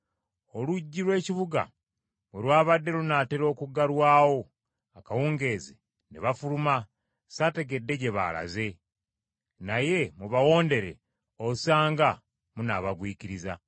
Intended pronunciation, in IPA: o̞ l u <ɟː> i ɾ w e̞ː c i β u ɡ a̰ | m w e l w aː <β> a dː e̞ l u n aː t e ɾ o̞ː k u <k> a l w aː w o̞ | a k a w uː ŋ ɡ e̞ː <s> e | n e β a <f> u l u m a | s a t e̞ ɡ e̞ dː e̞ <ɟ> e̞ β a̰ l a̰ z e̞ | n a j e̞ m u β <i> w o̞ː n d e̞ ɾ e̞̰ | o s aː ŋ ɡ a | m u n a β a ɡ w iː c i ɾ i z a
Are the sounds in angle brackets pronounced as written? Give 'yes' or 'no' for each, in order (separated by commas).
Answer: yes, yes, no, no, yes, yes, no